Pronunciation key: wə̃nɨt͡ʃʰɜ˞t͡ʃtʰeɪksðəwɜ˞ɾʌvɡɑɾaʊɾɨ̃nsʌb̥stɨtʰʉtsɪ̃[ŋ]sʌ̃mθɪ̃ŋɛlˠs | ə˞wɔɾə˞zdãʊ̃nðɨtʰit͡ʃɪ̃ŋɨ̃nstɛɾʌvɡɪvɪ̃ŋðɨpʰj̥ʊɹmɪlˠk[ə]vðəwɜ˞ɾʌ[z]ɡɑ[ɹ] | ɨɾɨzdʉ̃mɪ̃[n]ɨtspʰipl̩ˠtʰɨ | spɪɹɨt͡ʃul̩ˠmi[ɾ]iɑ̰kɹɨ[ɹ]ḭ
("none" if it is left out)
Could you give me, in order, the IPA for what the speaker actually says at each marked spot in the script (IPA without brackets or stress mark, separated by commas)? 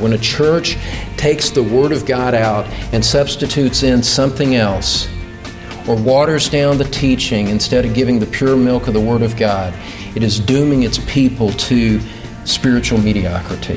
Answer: n, ʌ, v, ɾ, ŋ, ɾ, ɾ